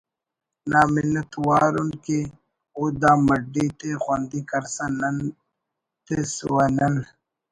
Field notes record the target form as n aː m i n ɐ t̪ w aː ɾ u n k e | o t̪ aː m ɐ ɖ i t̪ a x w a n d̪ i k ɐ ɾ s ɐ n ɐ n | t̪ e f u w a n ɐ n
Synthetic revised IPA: n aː m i n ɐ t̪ w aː ɾ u n k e | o d̪ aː m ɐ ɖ i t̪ e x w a n d̪ i k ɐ ɾ s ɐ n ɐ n | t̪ e s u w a n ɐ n

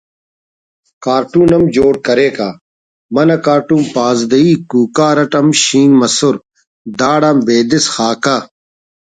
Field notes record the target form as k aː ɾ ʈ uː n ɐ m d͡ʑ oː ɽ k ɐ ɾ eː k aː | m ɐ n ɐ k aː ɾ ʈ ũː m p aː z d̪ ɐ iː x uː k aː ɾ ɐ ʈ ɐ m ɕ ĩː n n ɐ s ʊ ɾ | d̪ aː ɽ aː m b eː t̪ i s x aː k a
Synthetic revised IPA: k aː ɾ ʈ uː n ɐ m d͡ʑ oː ɽ k ɐ ɾ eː k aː | m ɐ n ɐ k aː ɾ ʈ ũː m p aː z d̪ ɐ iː k uː k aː ɾ ɐ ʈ ɐ m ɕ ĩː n m ɐ s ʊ ɾ | d̪ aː ɽ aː m b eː d̪ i s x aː k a

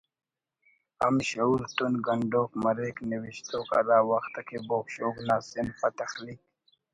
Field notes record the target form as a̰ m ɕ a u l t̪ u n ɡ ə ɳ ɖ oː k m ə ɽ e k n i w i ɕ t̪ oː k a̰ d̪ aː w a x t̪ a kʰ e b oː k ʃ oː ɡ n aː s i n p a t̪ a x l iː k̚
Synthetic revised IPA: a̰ m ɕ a u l t̪ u n ɡ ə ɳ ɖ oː k m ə ɾ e k n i w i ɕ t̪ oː k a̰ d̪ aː w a x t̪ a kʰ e b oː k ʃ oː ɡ n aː s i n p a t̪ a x l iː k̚

